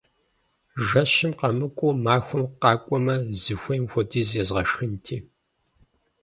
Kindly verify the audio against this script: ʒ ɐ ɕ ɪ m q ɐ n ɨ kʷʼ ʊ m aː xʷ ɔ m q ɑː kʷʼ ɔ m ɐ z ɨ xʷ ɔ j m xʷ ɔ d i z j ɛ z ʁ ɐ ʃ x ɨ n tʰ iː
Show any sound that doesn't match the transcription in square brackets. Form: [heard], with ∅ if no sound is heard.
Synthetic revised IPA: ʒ ɐ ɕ ɪ m q ɐ [m] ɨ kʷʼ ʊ m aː xʷ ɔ m q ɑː kʷʼ ɔ m ɐ z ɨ xʷ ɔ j m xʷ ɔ d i z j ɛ z ʁ ɐ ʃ x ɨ n tʰ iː